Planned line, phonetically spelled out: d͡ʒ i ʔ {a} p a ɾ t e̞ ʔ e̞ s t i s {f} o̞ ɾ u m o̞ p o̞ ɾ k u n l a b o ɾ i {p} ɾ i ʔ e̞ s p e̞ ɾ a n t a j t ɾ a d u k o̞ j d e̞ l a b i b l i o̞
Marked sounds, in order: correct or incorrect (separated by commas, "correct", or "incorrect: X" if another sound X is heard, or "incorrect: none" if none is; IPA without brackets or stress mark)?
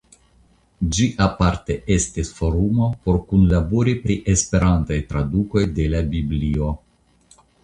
correct, correct, correct